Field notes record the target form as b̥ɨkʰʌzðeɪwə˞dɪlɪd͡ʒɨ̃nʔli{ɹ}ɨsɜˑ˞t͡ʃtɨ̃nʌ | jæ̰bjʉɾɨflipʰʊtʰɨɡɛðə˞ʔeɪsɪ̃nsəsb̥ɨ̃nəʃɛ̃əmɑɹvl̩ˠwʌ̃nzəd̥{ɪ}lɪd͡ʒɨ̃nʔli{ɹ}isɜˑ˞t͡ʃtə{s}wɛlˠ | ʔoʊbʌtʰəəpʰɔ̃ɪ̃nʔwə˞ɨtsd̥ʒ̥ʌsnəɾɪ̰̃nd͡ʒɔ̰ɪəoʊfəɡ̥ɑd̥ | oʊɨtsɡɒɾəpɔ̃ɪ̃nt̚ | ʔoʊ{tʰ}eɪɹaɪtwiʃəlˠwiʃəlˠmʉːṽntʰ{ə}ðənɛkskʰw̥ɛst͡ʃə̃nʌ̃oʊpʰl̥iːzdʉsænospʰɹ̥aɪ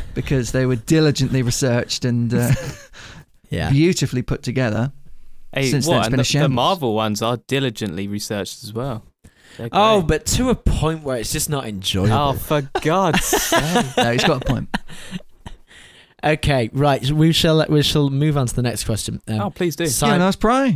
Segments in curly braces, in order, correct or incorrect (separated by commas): correct, correct, correct, incorrect, incorrect, correct